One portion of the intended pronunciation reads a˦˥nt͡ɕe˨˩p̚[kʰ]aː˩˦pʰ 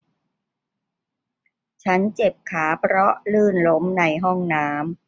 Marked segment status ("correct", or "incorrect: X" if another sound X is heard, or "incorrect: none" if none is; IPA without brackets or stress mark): correct